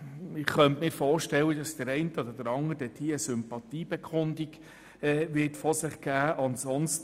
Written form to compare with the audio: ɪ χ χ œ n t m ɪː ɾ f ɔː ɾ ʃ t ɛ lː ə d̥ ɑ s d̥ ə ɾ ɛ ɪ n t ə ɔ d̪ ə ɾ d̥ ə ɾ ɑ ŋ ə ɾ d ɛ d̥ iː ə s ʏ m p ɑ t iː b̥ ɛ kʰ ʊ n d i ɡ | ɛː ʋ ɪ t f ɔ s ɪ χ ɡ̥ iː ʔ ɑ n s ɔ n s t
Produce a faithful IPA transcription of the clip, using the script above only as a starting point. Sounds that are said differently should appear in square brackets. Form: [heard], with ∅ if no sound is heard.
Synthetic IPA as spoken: ɪ χ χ œ n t m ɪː ɾ f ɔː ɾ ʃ t ɛ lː ə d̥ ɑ s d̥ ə ɾ ɛ ɪ n t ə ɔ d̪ ə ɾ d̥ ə ɾ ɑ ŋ ə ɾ d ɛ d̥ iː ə s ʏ m p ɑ t iː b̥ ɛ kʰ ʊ n d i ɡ | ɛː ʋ ɪ t f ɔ s ɪ χ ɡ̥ [æː] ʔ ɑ n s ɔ n s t